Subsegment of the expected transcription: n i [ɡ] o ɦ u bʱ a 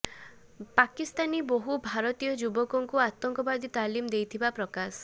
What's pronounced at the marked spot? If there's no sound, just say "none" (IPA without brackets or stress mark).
b